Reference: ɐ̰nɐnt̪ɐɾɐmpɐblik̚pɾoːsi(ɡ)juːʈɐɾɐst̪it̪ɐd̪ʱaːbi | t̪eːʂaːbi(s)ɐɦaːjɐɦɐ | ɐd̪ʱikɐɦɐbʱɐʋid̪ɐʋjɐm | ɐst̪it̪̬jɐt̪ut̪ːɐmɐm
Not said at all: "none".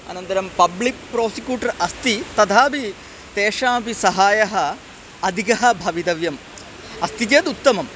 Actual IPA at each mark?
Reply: k, s

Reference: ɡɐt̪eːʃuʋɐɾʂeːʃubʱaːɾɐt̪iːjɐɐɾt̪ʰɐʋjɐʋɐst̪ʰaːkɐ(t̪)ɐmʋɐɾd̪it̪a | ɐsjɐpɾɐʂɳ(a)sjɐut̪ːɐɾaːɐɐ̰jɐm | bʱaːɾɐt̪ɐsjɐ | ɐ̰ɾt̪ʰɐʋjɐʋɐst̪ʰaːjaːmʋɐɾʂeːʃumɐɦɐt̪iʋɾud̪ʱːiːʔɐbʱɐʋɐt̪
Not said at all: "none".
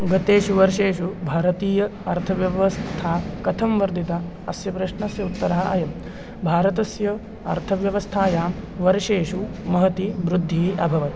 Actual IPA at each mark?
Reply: t̪ʰ, ɐ

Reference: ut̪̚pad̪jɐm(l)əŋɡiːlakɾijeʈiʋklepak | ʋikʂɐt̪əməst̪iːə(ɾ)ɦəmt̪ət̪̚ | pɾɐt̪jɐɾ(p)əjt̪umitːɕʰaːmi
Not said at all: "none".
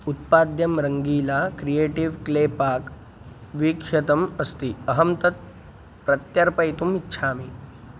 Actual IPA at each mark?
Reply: ɾ, none, p

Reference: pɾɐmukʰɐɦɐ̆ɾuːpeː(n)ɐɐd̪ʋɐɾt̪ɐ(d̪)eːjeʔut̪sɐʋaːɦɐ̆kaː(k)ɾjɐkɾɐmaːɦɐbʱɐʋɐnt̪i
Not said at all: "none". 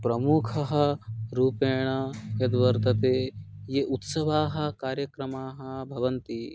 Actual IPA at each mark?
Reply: ɳ, t̪, none

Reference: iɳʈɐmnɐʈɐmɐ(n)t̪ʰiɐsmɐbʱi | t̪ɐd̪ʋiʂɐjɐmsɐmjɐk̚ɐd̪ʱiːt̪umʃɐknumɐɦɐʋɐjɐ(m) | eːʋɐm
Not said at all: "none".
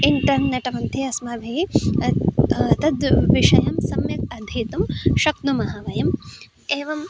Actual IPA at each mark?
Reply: n, m

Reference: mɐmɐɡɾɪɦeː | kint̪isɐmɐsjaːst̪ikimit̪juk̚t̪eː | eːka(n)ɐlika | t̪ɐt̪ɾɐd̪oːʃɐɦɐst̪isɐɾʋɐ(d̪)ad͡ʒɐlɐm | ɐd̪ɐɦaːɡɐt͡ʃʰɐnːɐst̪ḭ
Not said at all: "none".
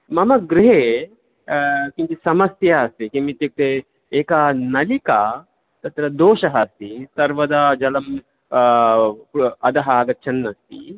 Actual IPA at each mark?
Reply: n, d̪

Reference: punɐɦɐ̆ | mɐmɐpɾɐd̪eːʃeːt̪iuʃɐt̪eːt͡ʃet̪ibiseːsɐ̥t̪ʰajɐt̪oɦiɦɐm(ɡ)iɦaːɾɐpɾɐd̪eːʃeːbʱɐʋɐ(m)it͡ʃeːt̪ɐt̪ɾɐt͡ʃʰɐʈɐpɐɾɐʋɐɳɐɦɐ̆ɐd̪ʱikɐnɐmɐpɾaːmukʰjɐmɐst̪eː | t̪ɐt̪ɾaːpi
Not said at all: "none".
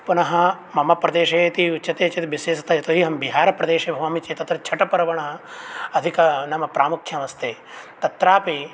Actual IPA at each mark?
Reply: b, m

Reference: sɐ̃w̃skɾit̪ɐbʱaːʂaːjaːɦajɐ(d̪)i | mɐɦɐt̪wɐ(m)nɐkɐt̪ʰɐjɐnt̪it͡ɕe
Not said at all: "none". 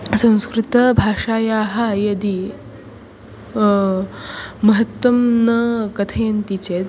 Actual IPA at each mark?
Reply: d̪, m

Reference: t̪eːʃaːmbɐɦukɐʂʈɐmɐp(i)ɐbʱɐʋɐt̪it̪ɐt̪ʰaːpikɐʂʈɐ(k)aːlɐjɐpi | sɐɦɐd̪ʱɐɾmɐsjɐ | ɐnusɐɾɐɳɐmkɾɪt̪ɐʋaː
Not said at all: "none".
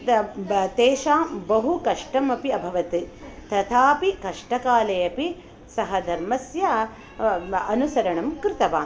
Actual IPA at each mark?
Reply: i, k

